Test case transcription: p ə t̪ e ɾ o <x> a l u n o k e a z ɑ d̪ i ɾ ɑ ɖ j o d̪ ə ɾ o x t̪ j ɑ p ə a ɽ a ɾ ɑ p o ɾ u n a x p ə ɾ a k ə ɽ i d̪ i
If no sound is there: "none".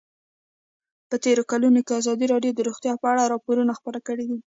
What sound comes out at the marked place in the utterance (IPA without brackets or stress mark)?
k